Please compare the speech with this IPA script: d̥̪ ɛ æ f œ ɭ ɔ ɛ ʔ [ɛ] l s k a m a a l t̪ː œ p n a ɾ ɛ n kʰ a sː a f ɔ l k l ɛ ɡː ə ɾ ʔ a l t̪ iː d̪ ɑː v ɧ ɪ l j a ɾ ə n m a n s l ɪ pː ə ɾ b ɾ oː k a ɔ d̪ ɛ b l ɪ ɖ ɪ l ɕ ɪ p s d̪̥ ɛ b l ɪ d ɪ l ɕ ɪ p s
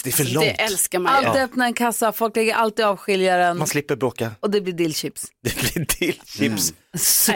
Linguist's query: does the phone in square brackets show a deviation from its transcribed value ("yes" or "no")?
no